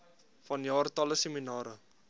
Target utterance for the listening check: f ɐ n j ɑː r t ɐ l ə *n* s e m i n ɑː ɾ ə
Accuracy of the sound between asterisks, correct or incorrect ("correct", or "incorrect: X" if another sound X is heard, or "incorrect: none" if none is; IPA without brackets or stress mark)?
incorrect: none